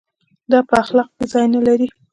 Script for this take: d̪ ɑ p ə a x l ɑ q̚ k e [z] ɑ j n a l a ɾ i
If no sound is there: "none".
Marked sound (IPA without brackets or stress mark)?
z